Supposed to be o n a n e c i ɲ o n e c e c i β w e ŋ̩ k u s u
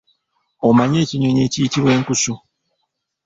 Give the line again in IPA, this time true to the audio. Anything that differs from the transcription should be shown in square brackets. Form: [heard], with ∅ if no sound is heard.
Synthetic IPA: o [m] a [ɲ] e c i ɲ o [ɲ] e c [i] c i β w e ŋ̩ k u s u